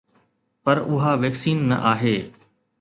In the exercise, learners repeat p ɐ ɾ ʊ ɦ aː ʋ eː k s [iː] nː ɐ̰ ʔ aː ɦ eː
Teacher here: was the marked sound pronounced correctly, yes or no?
yes